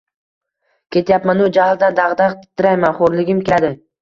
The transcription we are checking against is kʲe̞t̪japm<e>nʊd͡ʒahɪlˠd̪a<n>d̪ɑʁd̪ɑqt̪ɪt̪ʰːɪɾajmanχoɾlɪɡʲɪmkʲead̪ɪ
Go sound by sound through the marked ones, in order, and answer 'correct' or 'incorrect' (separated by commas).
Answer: incorrect, correct